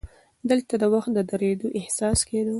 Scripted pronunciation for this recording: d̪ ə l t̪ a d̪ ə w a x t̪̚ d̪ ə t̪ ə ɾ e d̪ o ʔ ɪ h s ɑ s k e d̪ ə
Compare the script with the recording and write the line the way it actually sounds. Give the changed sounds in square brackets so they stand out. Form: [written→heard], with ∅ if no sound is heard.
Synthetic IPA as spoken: d̪ ə l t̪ a d̪ ə w a x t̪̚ d̪ ə [t̪→d̪] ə ɾ e d̪ o ʔ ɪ h s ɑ s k e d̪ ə